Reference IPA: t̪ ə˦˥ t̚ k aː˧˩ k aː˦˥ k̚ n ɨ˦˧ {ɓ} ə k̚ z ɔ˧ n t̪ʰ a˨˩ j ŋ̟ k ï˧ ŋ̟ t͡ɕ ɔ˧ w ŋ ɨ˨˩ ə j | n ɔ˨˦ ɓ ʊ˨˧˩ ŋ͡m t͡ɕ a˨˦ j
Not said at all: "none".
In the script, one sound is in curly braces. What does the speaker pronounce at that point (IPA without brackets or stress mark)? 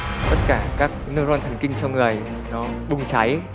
none